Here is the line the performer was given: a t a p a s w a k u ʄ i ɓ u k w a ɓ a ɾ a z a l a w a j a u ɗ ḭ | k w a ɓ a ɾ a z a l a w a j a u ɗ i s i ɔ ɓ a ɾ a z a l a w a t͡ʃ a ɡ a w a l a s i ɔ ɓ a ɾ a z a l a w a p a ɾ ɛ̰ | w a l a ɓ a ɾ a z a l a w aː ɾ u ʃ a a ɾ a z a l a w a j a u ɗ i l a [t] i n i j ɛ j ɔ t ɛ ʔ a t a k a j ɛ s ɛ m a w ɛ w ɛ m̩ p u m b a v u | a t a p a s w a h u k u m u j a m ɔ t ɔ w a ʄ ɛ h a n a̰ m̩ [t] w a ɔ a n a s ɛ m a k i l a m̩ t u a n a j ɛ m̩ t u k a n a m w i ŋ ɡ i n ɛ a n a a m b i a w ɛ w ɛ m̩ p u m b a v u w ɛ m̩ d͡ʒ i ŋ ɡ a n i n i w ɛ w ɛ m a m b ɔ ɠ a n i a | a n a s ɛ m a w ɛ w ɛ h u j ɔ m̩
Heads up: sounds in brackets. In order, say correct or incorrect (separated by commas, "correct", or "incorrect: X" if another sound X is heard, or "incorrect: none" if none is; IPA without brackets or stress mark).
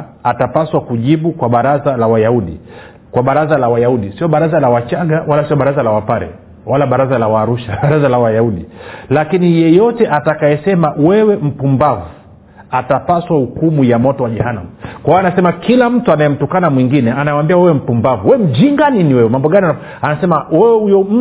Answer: incorrect: k, incorrect: k